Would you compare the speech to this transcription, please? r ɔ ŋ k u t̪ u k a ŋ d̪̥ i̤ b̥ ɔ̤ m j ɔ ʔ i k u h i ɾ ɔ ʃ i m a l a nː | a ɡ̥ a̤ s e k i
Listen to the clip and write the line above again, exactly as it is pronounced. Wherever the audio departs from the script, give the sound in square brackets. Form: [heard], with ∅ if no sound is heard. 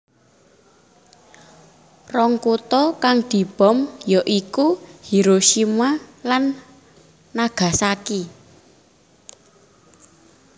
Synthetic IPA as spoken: r ɔ ŋ k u t̪ [ɔ] k a ŋ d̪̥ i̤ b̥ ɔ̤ m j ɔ ʔ i k u h i ɾ [o] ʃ i m a l a nː | a ɡ̥ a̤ s [a] k i